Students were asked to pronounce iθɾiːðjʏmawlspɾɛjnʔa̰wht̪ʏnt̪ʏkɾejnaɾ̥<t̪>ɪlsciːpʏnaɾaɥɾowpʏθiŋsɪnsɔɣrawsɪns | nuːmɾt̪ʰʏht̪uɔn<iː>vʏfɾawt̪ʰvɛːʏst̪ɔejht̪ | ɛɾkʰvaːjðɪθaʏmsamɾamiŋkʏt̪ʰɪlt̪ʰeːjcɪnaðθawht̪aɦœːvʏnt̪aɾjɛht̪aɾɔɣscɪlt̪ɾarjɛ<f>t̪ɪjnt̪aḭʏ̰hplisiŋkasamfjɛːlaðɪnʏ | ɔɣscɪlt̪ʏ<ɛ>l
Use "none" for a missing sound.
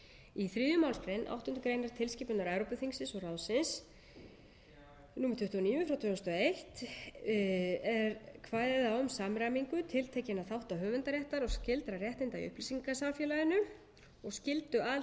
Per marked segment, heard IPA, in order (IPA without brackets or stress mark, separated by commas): t̪ʰ, iː, h, a